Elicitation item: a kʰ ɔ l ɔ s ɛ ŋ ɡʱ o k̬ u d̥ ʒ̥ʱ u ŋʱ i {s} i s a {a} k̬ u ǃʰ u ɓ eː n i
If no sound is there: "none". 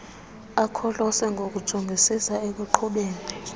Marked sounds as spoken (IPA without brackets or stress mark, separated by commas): s, e